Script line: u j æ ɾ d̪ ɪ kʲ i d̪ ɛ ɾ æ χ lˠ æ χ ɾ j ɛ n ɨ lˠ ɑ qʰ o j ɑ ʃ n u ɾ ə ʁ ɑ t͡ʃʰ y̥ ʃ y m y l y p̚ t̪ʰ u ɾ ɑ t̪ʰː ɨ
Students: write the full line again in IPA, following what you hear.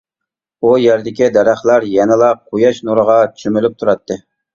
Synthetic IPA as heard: u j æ ɾ d̪ ɪ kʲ i d̪ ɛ ɾ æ χ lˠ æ ɾ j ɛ n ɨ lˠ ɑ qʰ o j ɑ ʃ n u ɾ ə ʁ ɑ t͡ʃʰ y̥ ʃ y m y l y p̚ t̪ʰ u ɾ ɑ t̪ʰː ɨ